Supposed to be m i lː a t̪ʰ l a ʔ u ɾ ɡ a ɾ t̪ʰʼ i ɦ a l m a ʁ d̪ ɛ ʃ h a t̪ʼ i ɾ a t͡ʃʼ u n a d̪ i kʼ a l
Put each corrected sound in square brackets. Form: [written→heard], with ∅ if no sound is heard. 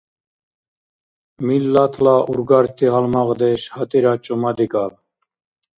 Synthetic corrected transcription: m i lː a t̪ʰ l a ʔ u ɾ ɡ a ɾ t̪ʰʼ i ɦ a l m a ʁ d̪ ɛ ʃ h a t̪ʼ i ɾ a t͡ʃʼ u [n→m] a d̪ i kʼ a l